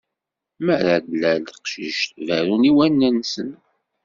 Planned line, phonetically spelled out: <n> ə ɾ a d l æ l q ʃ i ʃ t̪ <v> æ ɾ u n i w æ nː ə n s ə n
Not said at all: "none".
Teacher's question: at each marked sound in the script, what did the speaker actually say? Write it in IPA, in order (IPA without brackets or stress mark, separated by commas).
m, v